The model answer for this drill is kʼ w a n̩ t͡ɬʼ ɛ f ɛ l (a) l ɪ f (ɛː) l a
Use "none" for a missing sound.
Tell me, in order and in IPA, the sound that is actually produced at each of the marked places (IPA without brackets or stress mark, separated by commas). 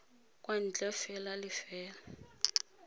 a, ɛː